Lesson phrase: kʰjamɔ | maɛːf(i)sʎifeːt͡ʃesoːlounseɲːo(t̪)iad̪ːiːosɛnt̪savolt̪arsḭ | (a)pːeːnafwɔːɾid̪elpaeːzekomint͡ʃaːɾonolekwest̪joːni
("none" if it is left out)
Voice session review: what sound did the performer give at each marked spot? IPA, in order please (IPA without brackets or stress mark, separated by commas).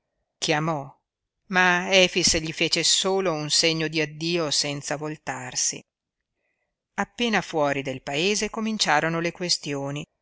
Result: i, d̪, a